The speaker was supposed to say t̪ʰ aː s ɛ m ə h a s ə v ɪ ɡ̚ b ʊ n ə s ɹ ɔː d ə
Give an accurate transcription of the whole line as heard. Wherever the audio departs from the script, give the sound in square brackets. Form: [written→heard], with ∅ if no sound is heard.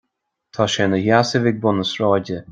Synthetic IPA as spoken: t̪ʰ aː [s→ʃ] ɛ [m→n] ə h a s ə v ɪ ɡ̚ b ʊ n ə s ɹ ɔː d ə